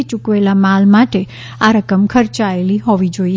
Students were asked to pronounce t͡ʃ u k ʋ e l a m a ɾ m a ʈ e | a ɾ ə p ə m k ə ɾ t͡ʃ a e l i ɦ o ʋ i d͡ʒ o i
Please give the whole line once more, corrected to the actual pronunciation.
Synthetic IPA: t͡ʃ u k ʋ e l a m a l m a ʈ e | a ɾ ə k ə m kʰ ə ɾ t͡ʃ a e l i ɦ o ʋ i d͡ʒ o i